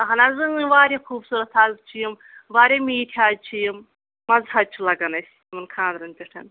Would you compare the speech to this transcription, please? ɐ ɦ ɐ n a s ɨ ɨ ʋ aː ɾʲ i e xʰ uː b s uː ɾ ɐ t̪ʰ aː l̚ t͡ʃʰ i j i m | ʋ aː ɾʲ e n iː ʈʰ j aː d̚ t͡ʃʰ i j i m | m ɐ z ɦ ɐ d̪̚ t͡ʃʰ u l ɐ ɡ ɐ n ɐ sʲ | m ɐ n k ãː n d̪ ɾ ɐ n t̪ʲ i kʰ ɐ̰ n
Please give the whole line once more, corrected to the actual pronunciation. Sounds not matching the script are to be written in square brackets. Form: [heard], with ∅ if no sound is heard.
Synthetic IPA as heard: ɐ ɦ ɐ n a [z] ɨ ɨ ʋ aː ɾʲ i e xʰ uː b s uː ɾ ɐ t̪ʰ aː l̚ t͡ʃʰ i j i m | ʋ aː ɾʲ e [m] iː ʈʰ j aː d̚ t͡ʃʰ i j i m | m ɐ z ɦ ɐ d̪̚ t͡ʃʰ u l ɐ ɡ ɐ n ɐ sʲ | m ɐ n [kʰ] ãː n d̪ ɾ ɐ n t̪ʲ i [ʈʰ] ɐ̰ n